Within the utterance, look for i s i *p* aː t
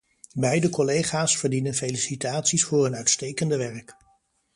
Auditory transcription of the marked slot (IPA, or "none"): t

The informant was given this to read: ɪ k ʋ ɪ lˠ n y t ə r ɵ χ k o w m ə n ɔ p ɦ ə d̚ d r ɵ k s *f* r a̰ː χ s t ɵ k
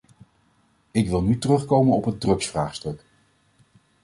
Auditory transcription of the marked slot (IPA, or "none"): f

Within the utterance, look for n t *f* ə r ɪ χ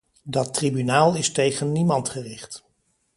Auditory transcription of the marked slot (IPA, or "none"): χ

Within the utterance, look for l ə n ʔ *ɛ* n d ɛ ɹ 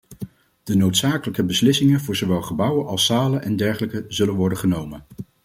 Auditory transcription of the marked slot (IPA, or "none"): ɛ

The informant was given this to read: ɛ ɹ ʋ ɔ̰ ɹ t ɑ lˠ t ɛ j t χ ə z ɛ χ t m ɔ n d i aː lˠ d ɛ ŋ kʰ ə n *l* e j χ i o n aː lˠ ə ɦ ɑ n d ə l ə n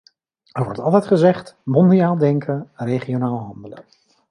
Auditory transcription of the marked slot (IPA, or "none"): r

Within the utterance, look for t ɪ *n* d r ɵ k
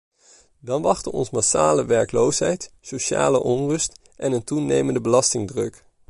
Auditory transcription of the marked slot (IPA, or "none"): ŋ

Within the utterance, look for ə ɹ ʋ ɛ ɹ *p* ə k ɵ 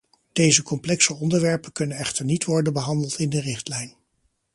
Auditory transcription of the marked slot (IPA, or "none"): p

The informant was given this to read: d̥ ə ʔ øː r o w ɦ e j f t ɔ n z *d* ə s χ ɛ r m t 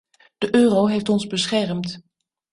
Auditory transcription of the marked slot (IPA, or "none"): b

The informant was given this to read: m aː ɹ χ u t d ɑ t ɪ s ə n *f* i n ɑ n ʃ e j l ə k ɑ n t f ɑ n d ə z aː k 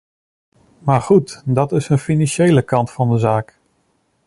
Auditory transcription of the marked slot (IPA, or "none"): f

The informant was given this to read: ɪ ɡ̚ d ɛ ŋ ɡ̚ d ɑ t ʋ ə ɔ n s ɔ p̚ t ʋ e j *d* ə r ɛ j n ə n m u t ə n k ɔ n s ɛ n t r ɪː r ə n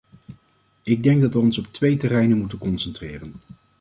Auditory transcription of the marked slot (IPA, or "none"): t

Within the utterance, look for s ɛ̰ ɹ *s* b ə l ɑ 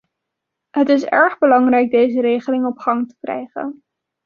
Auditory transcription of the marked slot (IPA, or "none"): χ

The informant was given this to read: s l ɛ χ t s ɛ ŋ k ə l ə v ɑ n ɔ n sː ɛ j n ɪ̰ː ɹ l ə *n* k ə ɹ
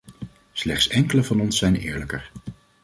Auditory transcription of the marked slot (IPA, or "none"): none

